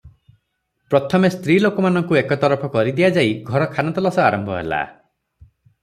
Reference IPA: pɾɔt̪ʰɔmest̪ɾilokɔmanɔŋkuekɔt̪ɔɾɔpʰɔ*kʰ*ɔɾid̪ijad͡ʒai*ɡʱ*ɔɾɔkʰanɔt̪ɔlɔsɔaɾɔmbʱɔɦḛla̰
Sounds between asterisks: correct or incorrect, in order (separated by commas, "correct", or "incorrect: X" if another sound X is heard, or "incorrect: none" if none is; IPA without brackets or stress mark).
incorrect: k, correct